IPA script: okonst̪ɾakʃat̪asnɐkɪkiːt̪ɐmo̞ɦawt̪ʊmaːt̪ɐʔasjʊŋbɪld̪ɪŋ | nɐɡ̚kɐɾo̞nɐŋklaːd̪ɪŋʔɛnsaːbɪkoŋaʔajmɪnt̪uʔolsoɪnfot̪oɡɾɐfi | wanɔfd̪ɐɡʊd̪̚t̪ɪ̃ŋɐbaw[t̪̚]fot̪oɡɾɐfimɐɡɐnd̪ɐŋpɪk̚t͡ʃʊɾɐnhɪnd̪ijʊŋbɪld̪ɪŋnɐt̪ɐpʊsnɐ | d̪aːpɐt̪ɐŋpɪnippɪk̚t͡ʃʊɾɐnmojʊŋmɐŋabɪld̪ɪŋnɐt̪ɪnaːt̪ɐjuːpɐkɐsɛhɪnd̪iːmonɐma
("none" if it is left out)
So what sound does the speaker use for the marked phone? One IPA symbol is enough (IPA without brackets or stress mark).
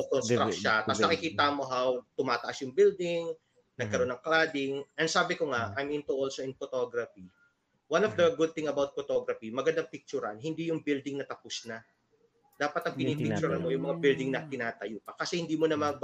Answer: t̪̚